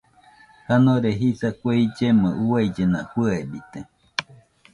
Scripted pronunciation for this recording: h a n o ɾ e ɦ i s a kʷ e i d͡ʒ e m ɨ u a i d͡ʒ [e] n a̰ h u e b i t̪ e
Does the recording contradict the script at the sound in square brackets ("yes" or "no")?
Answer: no